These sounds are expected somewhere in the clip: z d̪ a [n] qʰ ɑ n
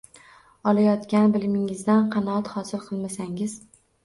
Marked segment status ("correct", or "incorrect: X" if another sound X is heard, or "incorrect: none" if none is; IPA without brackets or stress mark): correct